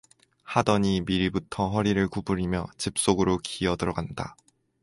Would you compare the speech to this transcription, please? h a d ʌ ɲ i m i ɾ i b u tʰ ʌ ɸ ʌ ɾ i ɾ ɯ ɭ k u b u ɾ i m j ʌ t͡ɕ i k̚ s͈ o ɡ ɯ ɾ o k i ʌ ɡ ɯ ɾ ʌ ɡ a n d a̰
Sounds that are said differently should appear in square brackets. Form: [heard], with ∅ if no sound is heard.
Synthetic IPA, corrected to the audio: h a d ʌ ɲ i m i ɾ i b u tʰ ʌ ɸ ʌ ɾ i ɾ ɯ ɭ k u b u ɾ i m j ʌ t͡ɕ i [p̚] s͈ o ɡ ɯ ɾ o k i ʌ [d] ɯ ɾ ʌ ɡ a n d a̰